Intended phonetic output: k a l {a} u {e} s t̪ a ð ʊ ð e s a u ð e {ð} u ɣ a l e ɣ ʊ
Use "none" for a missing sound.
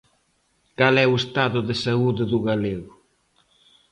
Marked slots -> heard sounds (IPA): ɛ, e, ð

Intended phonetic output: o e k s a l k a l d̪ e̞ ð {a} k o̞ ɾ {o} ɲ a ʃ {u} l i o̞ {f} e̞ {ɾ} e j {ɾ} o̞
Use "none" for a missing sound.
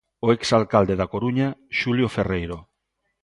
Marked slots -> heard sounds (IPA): a, u, u, f, r, ɾ

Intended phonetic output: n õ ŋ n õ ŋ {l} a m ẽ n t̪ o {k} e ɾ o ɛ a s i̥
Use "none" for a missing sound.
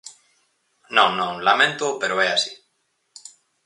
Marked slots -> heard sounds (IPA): l, p

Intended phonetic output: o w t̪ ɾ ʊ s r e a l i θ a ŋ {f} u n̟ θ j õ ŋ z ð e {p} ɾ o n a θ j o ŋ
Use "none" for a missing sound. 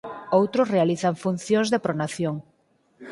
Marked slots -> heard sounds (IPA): f, p

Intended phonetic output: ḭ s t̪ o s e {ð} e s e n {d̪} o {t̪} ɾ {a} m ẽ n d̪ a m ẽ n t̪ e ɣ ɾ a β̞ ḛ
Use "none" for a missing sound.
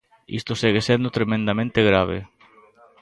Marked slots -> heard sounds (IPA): ɣ, d̪, t̪, e

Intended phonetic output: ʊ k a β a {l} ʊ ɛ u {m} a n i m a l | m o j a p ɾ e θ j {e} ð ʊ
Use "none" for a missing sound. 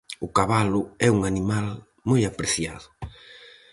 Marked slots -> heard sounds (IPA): l, ŋ, a

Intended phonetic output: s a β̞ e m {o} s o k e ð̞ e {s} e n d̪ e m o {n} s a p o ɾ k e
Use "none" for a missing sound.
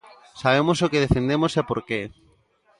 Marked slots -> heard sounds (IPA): o, f, none

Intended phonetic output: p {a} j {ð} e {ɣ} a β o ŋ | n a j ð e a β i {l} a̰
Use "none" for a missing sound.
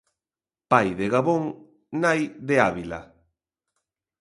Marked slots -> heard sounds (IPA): a, ð, ɣ, l

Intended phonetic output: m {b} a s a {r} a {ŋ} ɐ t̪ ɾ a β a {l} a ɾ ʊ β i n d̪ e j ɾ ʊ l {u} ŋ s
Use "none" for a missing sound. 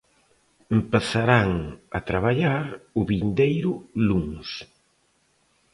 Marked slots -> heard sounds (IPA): p, ɾ, ŋ, ʎ, u

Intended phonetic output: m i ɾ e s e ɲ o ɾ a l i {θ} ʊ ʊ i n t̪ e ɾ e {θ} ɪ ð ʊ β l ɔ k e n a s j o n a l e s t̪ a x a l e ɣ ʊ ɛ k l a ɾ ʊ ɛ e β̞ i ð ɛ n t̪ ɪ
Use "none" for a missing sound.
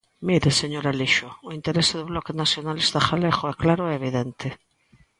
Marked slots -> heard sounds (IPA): ʃ, s

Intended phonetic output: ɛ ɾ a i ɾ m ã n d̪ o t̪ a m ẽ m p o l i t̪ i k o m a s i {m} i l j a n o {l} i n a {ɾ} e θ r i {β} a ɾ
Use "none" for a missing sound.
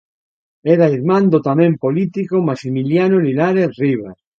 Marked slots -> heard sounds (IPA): m, l, ɾ, β

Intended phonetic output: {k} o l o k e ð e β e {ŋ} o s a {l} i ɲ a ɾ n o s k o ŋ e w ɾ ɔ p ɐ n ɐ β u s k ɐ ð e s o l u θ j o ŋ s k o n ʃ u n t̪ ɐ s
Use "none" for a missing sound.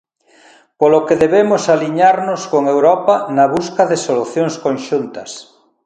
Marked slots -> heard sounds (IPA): p, m, l

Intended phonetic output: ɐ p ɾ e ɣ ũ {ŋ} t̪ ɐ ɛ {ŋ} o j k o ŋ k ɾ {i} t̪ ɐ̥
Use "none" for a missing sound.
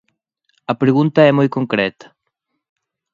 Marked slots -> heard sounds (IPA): n, m, ɛ

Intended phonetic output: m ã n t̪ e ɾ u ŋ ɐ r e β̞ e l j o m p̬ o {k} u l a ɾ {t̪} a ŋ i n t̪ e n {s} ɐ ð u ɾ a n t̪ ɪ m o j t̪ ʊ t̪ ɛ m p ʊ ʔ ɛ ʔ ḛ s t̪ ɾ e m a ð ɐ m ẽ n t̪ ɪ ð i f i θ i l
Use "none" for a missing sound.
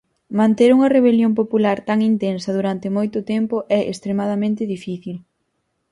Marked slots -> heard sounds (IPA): p, t̪, s

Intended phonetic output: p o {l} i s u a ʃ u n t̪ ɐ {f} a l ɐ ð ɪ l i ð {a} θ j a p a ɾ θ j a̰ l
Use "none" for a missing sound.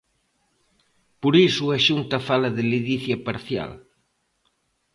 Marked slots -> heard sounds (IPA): ɾ, f, i

